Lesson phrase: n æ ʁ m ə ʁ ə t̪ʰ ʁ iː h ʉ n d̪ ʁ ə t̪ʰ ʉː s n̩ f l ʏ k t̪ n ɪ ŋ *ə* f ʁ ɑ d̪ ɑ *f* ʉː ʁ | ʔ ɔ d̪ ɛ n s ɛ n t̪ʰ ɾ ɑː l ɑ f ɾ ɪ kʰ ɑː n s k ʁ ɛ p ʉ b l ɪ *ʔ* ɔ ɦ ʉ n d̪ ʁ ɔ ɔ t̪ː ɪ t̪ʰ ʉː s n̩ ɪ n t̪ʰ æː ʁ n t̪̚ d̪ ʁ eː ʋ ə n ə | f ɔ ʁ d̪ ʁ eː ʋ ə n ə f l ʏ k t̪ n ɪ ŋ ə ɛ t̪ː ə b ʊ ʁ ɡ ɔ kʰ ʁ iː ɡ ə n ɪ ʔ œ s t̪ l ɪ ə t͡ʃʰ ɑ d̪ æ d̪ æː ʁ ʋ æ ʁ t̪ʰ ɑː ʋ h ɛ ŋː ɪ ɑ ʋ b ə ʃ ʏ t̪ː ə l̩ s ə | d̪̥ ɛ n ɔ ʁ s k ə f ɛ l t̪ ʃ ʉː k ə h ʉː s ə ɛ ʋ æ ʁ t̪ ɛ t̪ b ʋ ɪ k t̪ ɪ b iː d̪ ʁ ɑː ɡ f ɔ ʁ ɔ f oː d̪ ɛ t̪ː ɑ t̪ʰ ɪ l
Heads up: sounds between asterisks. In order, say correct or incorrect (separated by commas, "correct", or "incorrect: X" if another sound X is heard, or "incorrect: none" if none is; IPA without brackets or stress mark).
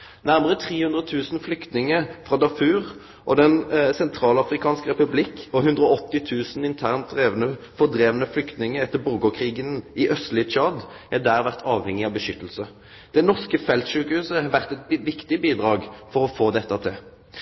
correct, correct, incorrect: k